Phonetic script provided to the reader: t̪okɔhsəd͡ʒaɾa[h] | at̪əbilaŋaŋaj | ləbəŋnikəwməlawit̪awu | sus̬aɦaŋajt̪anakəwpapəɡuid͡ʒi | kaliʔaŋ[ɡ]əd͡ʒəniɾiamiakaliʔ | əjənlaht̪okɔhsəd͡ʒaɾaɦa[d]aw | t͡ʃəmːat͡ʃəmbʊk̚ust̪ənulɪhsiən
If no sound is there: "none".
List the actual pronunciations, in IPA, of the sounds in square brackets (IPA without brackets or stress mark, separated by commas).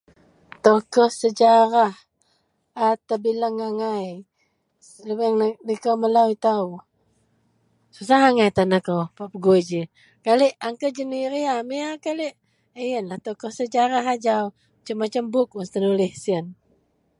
h, k, d͡ʒ